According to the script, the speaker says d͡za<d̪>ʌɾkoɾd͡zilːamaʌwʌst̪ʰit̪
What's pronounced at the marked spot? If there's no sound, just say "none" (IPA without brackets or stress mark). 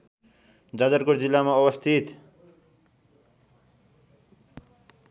d̪